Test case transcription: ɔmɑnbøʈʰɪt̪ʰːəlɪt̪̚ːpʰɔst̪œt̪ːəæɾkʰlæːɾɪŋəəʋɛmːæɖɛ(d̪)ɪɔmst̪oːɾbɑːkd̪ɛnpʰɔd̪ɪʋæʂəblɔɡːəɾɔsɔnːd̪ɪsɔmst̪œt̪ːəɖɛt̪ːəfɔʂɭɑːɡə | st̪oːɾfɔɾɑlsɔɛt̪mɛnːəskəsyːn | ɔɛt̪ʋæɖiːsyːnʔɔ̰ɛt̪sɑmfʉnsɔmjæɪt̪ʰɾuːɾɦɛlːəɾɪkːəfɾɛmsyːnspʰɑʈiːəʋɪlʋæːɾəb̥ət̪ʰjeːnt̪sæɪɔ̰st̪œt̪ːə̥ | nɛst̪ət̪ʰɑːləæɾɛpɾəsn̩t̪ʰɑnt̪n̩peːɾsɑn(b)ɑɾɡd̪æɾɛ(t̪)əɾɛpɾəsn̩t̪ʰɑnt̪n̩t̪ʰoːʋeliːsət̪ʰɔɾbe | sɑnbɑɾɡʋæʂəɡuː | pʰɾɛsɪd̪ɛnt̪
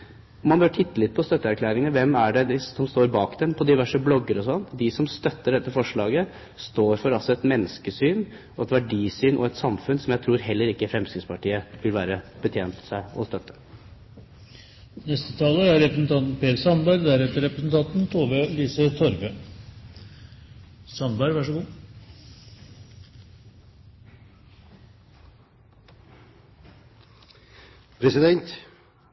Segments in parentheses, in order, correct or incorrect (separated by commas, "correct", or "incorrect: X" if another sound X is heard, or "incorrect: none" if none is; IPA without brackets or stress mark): correct, correct, correct